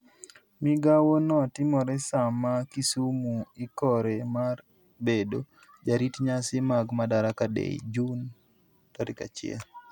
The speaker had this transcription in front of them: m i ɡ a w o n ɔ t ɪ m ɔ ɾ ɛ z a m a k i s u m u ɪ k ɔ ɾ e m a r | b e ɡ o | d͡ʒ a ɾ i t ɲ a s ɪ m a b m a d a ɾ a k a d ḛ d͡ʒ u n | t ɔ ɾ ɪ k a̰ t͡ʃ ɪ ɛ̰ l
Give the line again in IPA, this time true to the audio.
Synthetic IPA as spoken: m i ɡ a w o n ɔ t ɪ m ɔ ɾ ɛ s a m a k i s u m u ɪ k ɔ ɾ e m a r | b e d o | d͡ʒ a ɾ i t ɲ a s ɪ m a ɡ m a d a ɾ a k a d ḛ d͡ʒ u n | t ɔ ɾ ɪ k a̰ t͡ʃ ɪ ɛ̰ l